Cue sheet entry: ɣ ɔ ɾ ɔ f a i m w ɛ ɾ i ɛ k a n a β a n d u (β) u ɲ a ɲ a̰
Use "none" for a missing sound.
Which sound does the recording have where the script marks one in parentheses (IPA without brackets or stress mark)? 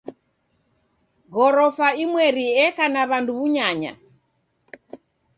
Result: β